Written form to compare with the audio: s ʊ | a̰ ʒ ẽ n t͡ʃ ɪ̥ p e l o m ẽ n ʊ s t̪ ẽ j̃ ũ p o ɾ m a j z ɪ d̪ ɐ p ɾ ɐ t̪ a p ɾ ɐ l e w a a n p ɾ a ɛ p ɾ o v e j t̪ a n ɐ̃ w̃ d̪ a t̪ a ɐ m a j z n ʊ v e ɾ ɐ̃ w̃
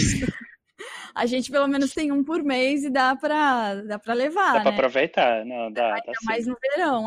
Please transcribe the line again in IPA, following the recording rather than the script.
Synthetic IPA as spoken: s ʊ | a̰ ʒ ẽ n t͡ʃ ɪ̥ p e l o m ẽ n ʊ s t̪ ẽ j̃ ũ p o ɾ m e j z ɪ d̪ a p ɾ ɐ d̪ a p ɾ ɐ l e v a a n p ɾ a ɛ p ɾ o v e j t̪ a n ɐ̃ w̃ d̪ a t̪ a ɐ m a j z n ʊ v e ɾ ɐ̃ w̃